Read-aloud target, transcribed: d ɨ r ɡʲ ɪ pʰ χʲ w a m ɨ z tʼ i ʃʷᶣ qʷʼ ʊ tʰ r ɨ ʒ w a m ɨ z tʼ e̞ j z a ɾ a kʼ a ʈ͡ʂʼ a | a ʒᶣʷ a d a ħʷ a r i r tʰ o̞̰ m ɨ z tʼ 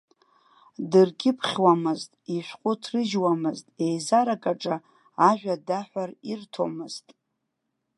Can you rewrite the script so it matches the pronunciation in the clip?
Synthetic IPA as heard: d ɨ r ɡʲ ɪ pʰ χʲ w a m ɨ z tʼ i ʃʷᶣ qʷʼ ʊ tʰ r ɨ ʒ w a m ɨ z tʼ e̞ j z a ɾ a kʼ a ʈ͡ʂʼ a | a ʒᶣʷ a d a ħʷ a r i r tʰ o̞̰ m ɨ z tʼ